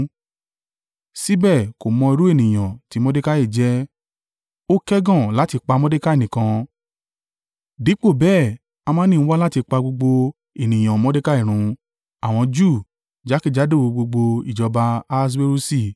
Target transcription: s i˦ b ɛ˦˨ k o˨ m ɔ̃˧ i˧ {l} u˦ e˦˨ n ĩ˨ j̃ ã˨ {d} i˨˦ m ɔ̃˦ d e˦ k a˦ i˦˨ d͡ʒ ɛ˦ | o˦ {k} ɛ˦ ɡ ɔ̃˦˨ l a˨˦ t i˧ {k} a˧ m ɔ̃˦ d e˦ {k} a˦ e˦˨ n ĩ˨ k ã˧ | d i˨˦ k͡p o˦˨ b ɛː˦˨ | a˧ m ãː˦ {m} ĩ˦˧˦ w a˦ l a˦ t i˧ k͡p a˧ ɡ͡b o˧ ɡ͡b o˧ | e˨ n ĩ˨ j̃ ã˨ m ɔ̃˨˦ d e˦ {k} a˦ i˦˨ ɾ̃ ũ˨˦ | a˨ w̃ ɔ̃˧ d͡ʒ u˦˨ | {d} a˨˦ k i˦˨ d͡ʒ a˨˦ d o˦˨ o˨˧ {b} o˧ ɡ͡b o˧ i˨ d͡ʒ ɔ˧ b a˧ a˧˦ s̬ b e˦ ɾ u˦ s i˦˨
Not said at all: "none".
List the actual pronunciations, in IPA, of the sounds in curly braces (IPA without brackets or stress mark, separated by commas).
ɾ, t, k, k͡p, k, n, k, d͡ʒ, ɡ͡b